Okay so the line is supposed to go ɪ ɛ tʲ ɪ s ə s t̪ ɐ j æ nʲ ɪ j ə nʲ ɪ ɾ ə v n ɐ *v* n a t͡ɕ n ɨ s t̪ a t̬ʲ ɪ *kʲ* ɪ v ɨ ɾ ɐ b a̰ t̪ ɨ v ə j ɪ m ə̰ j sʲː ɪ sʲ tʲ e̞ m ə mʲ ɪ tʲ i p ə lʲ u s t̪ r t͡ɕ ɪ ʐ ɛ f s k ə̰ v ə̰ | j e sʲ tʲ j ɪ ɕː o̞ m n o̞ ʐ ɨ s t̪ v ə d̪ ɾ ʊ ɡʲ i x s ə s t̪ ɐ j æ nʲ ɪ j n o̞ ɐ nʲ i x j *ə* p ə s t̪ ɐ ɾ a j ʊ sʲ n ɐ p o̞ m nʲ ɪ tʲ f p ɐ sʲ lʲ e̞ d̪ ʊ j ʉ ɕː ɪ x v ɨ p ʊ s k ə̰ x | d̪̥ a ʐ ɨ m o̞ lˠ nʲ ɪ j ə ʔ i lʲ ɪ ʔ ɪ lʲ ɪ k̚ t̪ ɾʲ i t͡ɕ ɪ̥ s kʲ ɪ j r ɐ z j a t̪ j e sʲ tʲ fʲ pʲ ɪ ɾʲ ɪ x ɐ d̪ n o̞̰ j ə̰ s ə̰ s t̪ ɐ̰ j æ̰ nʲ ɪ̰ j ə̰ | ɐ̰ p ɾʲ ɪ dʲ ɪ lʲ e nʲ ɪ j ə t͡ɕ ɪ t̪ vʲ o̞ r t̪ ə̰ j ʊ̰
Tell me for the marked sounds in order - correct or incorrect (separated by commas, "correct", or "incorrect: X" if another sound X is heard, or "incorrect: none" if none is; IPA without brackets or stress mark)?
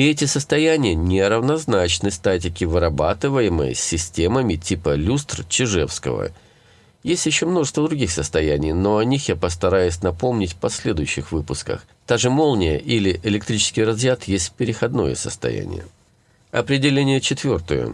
incorrect: z, correct, incorrect: a